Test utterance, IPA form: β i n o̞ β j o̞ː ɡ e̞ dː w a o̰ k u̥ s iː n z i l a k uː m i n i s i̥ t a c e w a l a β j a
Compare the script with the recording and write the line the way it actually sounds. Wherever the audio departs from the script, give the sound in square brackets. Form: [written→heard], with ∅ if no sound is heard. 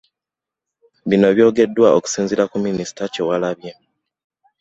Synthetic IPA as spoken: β i n o̞ β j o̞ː ɡ e̞ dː w a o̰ k u̥ s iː n z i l a k [uː→u] m i n i s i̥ t a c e w a l a β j [a→e]

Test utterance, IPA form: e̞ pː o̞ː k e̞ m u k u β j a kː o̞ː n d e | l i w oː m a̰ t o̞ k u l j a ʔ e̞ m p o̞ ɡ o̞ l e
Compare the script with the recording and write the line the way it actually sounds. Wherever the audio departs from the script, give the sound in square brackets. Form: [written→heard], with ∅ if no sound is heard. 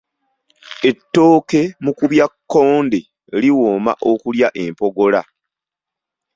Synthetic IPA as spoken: e̞ [pː→tː] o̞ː k e̞ m u k u β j a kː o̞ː n d e | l i w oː m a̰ [t→ʔ] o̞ k u l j a ʔ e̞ m p o̞ ɡ o̞ l [e→a]

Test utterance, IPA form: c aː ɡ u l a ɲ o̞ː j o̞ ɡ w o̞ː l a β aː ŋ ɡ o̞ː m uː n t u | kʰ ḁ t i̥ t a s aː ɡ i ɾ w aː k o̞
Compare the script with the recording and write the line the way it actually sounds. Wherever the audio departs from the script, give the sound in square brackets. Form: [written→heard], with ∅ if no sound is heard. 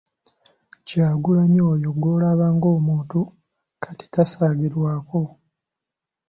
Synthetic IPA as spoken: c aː ɡ u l a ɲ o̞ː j o̞ ɡ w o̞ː l a β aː ŋ ɡ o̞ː m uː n t u | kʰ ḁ t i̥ t a s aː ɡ i ɾ w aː k o̞

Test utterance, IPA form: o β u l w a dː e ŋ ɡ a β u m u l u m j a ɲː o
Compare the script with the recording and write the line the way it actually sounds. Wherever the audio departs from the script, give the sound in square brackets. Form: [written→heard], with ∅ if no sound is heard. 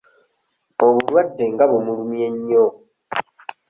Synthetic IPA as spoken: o β u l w a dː e ŋ ɡ a β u m u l u m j [a→e] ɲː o

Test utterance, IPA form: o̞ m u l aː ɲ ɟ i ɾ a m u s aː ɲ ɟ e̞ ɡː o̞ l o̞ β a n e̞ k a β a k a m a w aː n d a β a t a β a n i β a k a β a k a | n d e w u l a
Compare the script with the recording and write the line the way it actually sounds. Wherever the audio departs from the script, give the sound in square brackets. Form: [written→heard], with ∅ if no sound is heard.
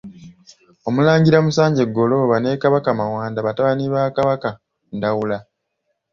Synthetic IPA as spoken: o̞ m u l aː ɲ ɟ i ɾ a m u s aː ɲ ɟ e̞ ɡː o̞ l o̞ β a n e̞ k a β a k a m a w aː n d a β a t a β a n i β a k a β a k a | n d [e→a] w u l a

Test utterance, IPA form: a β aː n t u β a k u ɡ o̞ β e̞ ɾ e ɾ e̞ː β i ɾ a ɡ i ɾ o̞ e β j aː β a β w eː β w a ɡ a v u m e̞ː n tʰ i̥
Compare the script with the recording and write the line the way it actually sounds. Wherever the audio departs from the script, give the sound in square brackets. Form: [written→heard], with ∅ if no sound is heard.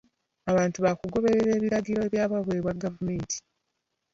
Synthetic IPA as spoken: a β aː n t u β a k u ɡ o̞ β e̞ ɾ e ɾ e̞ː β i ɾ a ɡ i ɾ o̞ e β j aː β a β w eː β w a ɡ a v u m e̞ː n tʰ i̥

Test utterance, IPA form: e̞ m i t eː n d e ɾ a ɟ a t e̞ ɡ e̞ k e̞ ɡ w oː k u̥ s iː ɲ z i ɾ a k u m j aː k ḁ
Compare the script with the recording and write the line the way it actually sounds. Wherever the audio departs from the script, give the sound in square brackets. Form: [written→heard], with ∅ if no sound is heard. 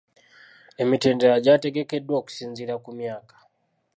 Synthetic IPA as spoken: e̞ m i t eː n d e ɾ a ɟ a t e̞ ɡ e̞ k e̞ [ɡ→d] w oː k u̥ s iː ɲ z i ɾ a k u m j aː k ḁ

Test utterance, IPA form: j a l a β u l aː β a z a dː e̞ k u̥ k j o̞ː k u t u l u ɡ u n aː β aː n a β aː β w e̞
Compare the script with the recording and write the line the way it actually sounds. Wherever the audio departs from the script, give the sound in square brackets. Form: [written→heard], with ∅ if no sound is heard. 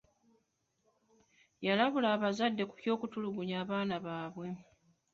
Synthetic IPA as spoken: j a l a β u l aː β a z a dː e̞ k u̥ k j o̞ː k u t u l u ɡ u [n→ɲ] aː β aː n a β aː β w e̞

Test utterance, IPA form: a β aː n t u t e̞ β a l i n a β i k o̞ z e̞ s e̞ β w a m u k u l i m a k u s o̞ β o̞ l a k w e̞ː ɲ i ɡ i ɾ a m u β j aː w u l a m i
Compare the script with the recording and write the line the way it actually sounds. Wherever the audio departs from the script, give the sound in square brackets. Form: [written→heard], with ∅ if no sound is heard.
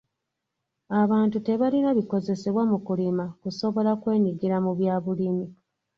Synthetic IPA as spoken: a β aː n t u t e̞ β a l i n a β i k o̞ z e̞ s e̞ β w a m u k u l i m a k u s o̞ β o̞ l a k w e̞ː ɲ i ɡ i ɾ a m u β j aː [w→β] u l [a→i] m i

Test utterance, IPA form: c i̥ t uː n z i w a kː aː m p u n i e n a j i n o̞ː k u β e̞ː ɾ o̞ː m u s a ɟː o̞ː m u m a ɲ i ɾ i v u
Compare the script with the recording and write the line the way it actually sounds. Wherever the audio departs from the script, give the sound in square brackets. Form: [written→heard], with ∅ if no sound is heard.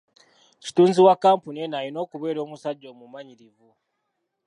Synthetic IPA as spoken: c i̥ t uː n z i w a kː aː m p u n i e n a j i n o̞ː k u β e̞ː ɾ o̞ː m u s a ɟː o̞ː m u m a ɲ i ɾ i v u

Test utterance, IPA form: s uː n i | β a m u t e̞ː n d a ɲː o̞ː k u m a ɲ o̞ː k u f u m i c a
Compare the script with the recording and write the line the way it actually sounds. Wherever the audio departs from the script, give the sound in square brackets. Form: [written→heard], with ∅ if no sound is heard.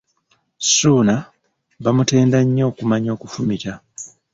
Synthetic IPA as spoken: s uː n [i→a] | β a m u t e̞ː n d a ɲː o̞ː k u m a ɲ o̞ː k u f u m i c a

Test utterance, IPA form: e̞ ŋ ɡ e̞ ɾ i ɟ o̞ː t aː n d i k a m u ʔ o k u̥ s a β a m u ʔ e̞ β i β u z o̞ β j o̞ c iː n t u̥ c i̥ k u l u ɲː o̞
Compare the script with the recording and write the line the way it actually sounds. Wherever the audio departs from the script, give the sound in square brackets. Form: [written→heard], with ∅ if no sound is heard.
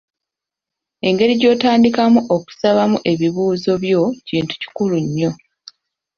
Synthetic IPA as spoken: e̞ ŋ ɡ e̞ ɾ i ɟ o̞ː t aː n d i k a m u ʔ o k u̥ s a β a m u ʔ e̞ β i β [u→uː] z o̞ β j o̞ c iː n t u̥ c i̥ k u l u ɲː o̞

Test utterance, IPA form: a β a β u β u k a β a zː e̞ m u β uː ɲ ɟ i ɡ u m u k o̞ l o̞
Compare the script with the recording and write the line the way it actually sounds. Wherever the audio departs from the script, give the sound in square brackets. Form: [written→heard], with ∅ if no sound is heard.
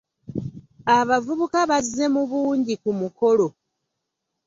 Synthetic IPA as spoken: a β a [β→v] u β u k a β a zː e̞ m u β uː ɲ ɟ i [ɡ→k] u m u k o̞ l o̞

